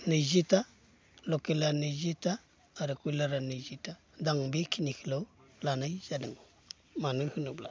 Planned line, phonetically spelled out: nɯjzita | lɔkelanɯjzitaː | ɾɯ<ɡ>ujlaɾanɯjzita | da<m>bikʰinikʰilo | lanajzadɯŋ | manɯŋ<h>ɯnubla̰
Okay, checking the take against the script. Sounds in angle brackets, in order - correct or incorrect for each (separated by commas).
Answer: incorrect, incorrect, correct